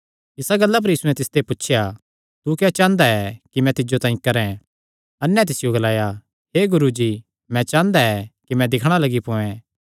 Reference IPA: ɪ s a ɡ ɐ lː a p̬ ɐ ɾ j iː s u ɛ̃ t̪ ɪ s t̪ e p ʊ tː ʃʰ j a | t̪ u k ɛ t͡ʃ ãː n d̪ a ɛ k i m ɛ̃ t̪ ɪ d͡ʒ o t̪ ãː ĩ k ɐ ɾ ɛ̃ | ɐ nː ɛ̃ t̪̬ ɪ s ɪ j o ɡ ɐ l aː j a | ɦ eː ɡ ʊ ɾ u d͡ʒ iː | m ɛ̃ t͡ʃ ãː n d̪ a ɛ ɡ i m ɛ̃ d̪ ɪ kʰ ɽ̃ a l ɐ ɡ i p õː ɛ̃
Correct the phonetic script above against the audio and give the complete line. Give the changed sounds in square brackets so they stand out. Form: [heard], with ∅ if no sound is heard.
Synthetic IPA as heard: ɪ s a ɡ ɐ lː a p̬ ɐ ɾ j iː s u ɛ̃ t̪ ɪ s t̪ e p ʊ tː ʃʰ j a | t̪ u k ɛ t͡ʃ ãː n d̪ a ɛ k i m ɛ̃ t̪ ɪ d͡ʒ o t̪ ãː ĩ k ɐ ɾ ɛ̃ | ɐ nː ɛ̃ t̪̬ ɪ s ɪ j o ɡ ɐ l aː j a | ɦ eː ɡ ʊ ɾ u d͡ʒ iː | m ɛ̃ t͡ʃ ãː n d̪ a ɛ [k] i m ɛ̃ d̪ ɪ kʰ ɽ̃ a l ɐ ɡ i p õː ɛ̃